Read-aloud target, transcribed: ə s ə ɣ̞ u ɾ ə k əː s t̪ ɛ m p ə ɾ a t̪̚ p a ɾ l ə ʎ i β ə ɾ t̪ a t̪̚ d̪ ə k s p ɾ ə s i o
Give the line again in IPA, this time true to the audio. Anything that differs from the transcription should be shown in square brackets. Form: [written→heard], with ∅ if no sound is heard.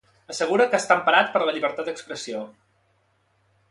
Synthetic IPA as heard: ə s ə ɣ̞ u ɾ ə k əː s t̪ [ɛ→a] m p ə ɾ a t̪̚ p [a→ə] ɾ l ə ʎ i β ə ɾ t̪ a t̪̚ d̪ ə k s p ɾ ə s i o